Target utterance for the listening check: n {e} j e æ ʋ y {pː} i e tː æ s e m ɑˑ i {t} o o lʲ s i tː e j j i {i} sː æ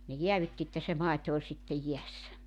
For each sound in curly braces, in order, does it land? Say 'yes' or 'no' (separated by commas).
yes, no, yes, no